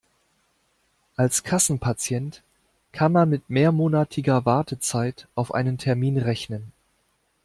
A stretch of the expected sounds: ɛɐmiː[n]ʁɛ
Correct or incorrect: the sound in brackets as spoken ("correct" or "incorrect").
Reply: correct